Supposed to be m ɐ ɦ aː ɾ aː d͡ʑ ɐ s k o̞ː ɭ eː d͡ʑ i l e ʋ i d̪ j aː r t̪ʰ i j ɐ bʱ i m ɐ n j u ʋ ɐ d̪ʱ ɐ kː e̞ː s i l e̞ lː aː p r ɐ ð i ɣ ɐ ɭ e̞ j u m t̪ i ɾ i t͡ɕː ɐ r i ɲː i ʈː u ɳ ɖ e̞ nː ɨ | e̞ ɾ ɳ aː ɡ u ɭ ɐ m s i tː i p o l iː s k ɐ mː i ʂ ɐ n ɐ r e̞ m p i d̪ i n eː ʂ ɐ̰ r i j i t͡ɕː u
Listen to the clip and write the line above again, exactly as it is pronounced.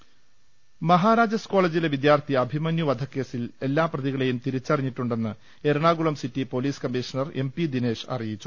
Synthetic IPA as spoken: m ɐ ɦ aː ɾ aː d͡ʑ ɐ s k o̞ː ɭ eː d͡ʑ i l e ʋ i d̪ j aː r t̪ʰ i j ɐ bʱ i m ɐ n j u ʋ ɐ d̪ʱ ɐ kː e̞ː s i l e̞ lː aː p r ɐ ð i ɣ ɐ ɭ e̞ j u m t̪ i ɾ i t͡ɕː ɐ r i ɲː i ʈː u ɳ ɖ e̞ nː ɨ | e̞ ɾ ɳ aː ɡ u ɭ ɐ m s i tː i p o l iː s k ɐ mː i ʂ ɐ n ɐ r e̞ m p i d̪ i n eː ʂ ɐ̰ r i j i t͡ɕː u